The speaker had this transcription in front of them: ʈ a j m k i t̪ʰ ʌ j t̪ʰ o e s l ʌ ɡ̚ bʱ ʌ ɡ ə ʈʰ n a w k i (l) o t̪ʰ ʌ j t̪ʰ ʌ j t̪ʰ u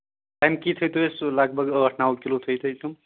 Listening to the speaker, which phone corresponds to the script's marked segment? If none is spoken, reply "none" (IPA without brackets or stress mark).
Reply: l